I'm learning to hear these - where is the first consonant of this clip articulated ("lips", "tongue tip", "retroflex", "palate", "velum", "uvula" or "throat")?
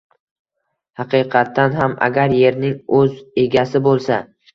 throat